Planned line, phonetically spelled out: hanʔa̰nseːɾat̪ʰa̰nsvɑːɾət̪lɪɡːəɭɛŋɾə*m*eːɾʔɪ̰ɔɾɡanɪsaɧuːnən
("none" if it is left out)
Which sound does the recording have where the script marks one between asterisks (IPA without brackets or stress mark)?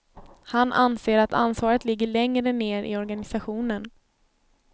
n